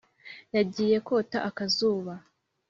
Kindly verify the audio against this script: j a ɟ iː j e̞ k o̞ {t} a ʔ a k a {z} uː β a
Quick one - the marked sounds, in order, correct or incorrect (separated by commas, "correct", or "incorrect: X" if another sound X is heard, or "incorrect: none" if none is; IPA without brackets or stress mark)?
correct, correct